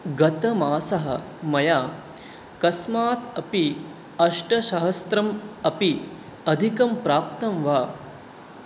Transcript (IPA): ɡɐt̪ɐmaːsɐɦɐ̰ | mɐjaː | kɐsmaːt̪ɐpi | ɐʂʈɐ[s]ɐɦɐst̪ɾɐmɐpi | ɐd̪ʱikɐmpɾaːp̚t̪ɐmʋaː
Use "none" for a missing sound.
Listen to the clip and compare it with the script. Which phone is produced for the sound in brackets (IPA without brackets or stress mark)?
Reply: ʃ